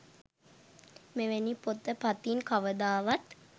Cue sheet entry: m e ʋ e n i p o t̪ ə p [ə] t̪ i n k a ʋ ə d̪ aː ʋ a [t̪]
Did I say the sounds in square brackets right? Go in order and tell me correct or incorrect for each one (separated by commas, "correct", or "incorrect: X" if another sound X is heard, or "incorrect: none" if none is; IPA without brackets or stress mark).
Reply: incorrect: a, correct